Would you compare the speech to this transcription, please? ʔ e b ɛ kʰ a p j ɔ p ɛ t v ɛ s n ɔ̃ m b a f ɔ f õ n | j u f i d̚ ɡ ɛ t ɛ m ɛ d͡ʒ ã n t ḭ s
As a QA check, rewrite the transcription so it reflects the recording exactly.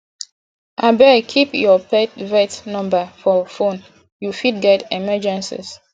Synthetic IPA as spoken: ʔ a b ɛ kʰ i p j ɔ p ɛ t v ɛ t n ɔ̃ m b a f ɔ f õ n | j u f i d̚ ɡ ɛ t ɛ m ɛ d͡ʒ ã n s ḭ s